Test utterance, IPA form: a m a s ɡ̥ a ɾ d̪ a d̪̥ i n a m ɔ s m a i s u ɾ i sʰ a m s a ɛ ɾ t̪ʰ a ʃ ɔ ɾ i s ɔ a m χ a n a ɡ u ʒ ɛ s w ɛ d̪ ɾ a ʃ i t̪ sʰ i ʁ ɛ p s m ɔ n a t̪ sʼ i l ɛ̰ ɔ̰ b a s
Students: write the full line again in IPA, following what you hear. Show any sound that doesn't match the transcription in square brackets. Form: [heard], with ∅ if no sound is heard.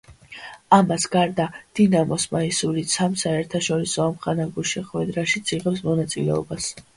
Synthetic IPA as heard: a m a s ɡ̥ a ɾ d̪ a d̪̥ i n a m ɔ s m a i s u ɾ i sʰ a m s a ɛ ɾ t̪ʰ a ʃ ɔ ɾ i s ɔ a m χ a n a ɡ u [ʃ] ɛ [χ] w ɛ d̪ ɾ a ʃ i t̪ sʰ i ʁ ɛ p s m ɔ n a t̪ sʼ i l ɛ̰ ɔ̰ b a s